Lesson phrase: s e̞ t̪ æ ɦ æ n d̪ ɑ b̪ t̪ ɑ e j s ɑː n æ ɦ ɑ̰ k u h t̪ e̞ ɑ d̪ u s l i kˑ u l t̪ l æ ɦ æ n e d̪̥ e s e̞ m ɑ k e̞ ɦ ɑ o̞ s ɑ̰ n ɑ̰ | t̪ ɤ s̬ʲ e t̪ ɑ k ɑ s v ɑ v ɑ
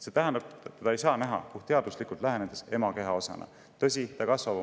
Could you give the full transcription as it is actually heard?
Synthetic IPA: s e̞ t̪ æ ɦ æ n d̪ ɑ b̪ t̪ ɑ e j s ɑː n æ ɦ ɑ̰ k u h t̪ e̞ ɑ d̪ u s l i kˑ u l t̪ l æ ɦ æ n e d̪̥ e s e̞ m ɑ k e̞ ɦ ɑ o̞ s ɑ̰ n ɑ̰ | t̪ ɤ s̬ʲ i t̪ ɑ k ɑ s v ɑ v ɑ